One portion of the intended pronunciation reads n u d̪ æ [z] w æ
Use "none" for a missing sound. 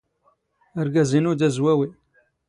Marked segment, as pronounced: z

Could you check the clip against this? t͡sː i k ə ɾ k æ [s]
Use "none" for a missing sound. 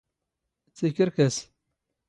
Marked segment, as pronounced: s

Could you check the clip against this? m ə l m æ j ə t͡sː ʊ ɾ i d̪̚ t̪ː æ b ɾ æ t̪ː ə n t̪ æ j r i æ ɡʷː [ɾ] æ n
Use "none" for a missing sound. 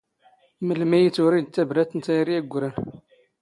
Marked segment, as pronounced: ɾ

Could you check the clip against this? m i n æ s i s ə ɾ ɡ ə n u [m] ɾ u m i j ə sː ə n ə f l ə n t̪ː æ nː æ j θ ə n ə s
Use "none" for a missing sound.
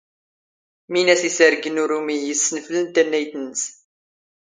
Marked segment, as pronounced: none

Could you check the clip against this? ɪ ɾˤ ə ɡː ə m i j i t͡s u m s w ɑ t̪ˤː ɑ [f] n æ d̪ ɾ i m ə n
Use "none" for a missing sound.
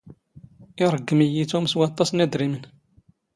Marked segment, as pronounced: s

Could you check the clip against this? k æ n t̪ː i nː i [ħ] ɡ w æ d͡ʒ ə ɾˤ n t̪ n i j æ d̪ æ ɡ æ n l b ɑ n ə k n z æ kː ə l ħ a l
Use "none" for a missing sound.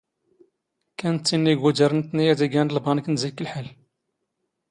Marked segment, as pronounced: none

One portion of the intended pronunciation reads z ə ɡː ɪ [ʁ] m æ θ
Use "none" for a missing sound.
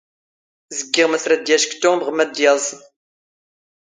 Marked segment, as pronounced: ʁ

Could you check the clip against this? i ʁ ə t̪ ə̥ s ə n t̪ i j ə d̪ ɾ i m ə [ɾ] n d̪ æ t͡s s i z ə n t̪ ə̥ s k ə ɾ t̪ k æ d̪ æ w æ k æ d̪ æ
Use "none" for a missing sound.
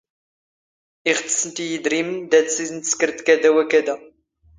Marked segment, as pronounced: none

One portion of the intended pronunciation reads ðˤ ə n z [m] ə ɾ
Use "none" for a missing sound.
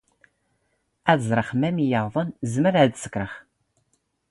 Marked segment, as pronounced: m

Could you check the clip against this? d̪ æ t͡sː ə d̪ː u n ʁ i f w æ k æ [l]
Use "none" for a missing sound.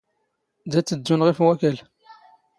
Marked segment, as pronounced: l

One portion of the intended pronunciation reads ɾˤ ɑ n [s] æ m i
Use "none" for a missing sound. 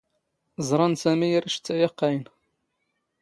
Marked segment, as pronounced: s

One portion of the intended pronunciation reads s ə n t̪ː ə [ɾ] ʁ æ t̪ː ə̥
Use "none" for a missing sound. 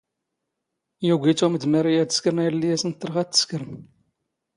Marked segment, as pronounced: ɾ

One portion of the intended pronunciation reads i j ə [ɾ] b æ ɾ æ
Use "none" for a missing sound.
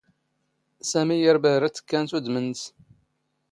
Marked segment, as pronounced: ɾ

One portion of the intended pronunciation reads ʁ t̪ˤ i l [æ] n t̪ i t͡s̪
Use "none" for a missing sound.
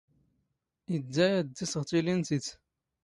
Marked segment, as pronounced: i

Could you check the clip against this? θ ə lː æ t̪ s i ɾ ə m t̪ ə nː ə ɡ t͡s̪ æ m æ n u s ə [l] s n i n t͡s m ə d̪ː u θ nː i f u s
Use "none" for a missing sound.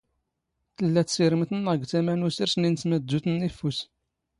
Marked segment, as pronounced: ɾ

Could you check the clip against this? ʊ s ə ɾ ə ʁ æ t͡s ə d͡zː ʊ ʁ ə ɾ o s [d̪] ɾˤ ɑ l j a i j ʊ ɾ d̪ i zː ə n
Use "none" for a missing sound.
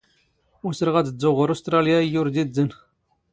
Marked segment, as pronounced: t̪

